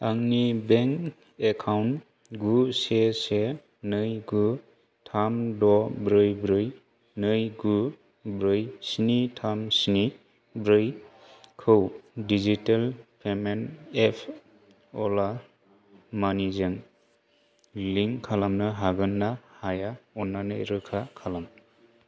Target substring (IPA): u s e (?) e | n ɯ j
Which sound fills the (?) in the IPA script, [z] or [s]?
s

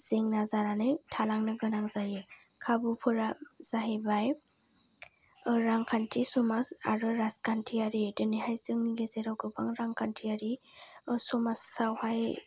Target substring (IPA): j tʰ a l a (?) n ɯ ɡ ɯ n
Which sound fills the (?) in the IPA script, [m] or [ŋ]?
ŋ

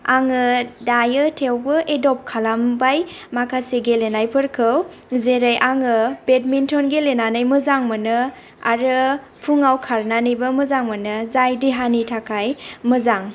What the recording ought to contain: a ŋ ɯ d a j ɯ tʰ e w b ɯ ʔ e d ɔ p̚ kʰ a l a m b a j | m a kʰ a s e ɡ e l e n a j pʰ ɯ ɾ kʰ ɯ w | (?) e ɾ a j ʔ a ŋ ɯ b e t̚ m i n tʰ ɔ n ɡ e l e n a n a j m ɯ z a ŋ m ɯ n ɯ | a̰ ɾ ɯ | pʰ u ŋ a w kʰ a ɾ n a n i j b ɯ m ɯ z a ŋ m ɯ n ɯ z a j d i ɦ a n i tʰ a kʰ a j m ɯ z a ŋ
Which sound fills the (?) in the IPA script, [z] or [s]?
z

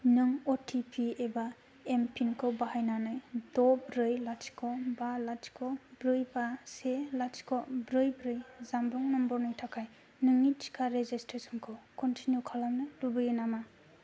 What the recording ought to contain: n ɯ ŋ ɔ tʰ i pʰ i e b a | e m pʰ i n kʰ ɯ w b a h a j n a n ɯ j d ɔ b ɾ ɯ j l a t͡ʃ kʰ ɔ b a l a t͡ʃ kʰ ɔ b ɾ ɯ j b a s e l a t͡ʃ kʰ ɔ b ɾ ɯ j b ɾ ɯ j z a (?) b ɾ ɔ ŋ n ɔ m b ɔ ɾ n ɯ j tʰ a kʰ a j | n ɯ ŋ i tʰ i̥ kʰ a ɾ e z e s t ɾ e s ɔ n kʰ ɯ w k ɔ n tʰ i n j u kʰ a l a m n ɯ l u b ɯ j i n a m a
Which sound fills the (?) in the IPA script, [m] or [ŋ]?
m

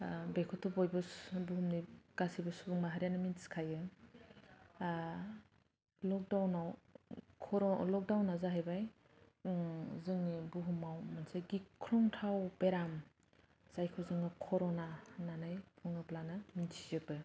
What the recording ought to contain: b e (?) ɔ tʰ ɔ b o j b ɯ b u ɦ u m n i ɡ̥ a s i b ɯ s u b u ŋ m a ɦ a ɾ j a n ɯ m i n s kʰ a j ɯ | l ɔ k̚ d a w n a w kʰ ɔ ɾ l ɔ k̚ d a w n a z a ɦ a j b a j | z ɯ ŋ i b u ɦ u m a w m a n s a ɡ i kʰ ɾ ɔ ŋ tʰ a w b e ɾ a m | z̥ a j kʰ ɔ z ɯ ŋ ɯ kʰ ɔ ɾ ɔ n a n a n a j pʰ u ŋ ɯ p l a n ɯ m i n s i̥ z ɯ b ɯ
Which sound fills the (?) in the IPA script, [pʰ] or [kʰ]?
kʰ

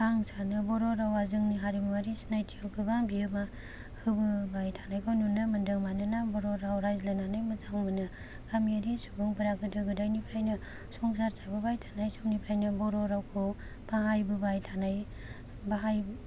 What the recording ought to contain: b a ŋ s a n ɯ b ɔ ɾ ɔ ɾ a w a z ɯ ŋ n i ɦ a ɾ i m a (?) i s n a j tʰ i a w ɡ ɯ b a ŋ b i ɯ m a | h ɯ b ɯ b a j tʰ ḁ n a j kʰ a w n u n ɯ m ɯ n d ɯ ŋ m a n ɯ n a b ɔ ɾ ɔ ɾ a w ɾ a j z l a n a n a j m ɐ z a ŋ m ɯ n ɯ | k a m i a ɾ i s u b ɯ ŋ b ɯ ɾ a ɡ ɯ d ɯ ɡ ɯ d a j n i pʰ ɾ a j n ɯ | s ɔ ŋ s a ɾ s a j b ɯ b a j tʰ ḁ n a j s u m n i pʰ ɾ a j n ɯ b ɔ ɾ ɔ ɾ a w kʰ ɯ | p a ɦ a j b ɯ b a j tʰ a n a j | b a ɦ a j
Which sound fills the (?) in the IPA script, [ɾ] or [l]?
ɾ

